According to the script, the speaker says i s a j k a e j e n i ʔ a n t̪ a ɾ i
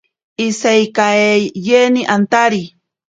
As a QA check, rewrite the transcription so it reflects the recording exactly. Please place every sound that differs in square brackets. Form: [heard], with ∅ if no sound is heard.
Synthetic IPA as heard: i s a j k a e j e n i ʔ a n t̪ a ɾ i

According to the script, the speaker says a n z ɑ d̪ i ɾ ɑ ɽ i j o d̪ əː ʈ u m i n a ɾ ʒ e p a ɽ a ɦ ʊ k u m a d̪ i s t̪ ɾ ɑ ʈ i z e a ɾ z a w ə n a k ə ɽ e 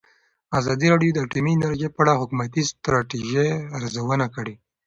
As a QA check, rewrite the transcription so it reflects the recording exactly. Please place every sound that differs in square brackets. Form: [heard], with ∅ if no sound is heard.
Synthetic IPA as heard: a [∅] z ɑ d̪ i ɾ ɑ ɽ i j o d̪ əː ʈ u m i n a ɾ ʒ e p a ɽ a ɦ ʊ k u m a [t̪] i s t̪ ɾ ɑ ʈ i [ʒ] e a ɾ z a w ə n a k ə ɽ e

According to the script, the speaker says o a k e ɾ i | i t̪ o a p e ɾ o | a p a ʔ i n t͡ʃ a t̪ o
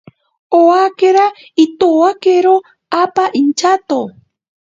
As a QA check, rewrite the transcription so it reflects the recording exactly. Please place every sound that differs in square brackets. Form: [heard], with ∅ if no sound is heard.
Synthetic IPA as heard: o a k e ɾ [a] | i t̪ o a [k] e ɾ o | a p a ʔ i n t͡ʃ a t̪ o

